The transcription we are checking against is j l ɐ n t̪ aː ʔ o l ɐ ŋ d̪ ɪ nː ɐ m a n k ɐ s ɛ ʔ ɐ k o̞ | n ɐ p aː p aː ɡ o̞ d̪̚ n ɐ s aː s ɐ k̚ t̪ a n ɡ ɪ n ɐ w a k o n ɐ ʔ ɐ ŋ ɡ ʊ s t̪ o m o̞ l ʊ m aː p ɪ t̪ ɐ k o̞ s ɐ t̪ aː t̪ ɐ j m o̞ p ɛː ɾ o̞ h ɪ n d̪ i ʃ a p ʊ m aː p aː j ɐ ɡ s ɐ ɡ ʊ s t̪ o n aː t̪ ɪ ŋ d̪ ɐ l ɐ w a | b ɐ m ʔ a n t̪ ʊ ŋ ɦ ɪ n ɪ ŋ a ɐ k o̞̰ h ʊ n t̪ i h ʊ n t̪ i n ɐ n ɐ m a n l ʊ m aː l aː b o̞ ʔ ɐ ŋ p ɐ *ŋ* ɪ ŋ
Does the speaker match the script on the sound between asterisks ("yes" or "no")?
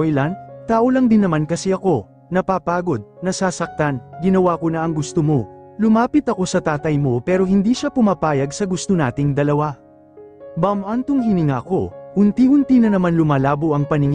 no